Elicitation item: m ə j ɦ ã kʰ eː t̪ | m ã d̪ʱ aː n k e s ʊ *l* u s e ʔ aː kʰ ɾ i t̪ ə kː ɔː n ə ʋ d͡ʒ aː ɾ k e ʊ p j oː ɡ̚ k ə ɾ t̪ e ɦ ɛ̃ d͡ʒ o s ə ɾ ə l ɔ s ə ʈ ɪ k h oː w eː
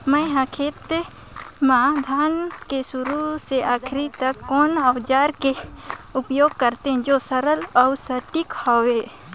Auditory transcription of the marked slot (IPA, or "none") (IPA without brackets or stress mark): ɾ